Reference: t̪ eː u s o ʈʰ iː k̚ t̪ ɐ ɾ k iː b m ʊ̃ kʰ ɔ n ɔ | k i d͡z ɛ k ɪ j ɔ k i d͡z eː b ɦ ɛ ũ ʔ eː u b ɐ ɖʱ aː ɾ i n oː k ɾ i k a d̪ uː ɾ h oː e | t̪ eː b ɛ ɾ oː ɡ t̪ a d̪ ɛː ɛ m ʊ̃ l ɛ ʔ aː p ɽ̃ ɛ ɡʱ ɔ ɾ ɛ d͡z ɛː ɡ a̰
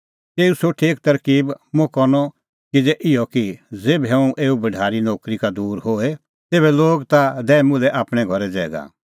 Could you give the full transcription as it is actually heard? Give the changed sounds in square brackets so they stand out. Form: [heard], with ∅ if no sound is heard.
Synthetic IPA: t̪ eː u s o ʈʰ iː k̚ t̪ ɐ ɾ k iː b m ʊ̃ [k] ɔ n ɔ | k i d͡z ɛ [ʔ] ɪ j ɔ k i d͡z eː b ɦ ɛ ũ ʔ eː u b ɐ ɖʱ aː ɾ i n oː k ɾ i k a d̪ uː ɾ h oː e | t̪ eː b ɛ [l] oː ɡ t̪ a d̪ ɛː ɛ m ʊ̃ l ɛ ʔ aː p ɽ̃ ɛ ɡʱ ɔ ɾ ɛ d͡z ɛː ɡ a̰